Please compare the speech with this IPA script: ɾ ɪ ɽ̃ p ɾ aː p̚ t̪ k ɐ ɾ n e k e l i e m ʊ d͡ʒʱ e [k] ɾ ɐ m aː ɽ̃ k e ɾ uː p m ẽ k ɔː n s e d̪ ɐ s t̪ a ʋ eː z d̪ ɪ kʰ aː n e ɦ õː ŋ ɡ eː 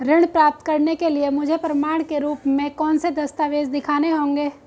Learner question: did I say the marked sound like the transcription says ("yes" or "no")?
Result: no